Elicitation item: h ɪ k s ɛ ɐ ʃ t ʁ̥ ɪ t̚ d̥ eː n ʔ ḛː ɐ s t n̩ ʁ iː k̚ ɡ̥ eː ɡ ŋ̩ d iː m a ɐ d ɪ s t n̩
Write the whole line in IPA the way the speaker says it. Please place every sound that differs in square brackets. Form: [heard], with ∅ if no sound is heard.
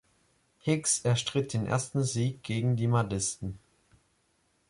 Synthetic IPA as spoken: h ɪ k s ɛ ɐ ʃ t ʁ̥ ɪ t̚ d̥ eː n ʔ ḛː ɐ s t n̩ [z] iː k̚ ɡ̥ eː ɡ ŋ̩ d iː m a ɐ d ɪ s t n̩